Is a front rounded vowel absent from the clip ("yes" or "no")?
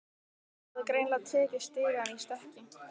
yes